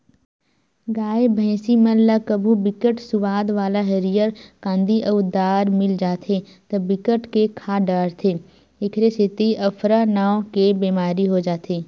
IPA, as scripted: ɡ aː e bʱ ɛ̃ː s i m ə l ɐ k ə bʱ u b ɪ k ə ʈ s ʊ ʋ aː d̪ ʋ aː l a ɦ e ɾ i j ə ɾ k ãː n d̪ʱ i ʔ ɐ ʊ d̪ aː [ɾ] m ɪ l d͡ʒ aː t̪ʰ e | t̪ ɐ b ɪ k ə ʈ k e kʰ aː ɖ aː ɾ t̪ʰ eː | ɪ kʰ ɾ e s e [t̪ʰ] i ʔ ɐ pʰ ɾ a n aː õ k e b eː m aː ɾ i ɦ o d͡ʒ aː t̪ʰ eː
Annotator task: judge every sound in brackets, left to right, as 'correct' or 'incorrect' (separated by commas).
correct, incorrect